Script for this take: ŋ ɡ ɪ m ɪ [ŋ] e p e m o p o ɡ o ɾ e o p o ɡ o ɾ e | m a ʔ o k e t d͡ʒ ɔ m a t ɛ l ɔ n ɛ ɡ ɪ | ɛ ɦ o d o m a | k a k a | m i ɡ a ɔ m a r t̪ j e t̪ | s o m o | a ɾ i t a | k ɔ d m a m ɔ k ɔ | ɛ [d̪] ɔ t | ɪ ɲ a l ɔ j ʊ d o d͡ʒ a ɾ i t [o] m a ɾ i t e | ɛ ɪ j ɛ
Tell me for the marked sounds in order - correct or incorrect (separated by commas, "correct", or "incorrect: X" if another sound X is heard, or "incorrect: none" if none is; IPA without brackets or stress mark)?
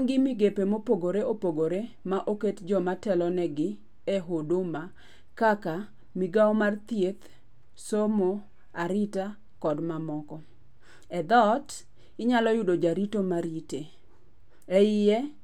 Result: incorrect: ɡ, correct, correct